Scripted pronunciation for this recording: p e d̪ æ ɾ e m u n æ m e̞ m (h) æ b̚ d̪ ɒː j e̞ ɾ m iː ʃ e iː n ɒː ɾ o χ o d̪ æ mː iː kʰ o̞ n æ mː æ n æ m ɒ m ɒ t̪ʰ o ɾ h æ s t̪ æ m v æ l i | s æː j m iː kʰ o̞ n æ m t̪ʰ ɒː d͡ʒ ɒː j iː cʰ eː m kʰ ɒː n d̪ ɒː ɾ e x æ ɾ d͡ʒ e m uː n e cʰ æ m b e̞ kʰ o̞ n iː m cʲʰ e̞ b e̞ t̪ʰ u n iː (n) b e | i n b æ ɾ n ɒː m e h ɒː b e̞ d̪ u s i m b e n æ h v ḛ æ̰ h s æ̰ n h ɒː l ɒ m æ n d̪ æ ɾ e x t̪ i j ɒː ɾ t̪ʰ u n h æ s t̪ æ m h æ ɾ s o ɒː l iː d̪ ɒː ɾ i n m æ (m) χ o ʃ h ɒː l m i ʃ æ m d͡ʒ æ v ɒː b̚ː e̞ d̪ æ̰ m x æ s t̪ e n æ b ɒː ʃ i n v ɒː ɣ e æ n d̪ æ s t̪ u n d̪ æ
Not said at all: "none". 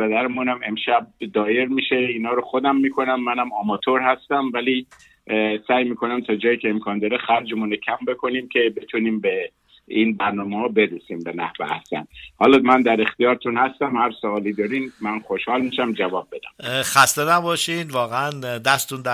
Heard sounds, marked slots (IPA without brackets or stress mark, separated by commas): ʃ, m, n